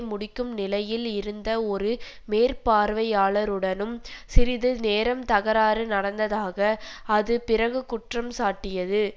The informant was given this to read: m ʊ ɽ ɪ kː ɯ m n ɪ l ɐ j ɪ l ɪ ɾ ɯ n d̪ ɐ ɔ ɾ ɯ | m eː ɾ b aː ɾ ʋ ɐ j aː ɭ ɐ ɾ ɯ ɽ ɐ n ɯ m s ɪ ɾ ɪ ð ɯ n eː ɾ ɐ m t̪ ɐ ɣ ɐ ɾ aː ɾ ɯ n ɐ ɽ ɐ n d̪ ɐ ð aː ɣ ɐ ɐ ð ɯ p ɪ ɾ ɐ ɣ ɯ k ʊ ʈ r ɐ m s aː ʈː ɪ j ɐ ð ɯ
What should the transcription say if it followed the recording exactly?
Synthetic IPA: m ʊ ɽ ɪ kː ɯ m n ɪ l ɐ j ɪ l ɪ ɾ ɯ n d̪ ɐ ɔ ɾ ɯ | m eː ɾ p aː ɾ ʋ ɐ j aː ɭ ɐ ɾ ɯ ɽ ɐ n ɯ m s ɪ ɾ ɪ ð ɯ n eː ɾ ɐ m t̪ ɐ ɣ ɐ ɾ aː ɾ ɯ n ɐ ɽ ɐ n d̪ ɐ ð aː ɣ ɐ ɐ ð ɯ p ɪ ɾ ɐ ɣ ɯ k ʊ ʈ r ɐ m s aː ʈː ɪ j ɐ ð ɯ